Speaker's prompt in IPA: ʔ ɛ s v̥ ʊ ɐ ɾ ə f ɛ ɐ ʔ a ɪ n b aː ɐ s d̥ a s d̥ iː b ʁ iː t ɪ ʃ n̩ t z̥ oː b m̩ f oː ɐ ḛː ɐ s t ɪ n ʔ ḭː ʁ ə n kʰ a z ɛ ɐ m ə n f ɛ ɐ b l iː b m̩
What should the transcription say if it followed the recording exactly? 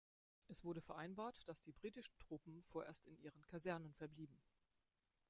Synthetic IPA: ʔ ɛ s v̥ ʊ ɐ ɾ ə f ɛ ɐ ʔ a ɪ n b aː ɐ t d̥ a s d̥ iː b ʁ iː t ɪ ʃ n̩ t ʁ̥ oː p m̩ f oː ɐ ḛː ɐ s t ɪ n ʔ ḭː ʁ ə n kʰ a z ɛ ɐ n ə n f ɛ ɐ b l iː b m̩